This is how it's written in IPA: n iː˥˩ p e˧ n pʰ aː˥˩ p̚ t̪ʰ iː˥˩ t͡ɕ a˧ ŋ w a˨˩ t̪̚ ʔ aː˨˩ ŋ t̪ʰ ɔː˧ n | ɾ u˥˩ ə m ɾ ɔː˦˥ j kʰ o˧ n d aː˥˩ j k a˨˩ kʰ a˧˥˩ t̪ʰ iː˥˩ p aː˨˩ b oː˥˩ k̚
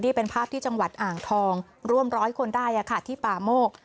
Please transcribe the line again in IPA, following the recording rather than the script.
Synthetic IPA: n iː˥˩ p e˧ n pʰ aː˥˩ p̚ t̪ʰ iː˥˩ t͡ɕ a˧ ŋ w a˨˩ t̪̚ ʔ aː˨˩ ŋ t̪ʰ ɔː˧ ŋ | ɾ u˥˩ ə m ɾ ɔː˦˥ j kʰ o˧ n d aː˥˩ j ʔ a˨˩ kʰ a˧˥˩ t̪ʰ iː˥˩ p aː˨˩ m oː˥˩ k̚